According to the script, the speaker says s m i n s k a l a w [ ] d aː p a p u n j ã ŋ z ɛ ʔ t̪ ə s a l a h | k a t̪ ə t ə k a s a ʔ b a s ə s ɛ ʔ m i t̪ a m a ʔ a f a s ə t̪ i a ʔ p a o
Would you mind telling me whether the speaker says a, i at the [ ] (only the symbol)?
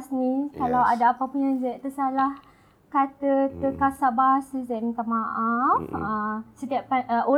a